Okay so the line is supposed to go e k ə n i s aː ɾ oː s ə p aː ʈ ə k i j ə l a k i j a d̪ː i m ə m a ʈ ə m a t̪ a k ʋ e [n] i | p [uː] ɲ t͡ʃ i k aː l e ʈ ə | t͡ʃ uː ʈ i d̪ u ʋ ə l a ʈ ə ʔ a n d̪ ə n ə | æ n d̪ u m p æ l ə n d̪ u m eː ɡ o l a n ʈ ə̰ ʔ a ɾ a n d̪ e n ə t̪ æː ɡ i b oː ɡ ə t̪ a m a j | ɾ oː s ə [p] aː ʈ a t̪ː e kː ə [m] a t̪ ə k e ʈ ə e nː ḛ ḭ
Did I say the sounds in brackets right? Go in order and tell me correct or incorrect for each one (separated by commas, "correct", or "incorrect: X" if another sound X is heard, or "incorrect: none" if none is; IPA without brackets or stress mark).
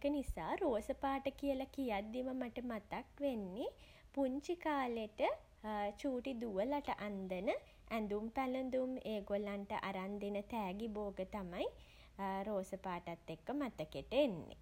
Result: incorrect: nː, incorrect: u, correct, correct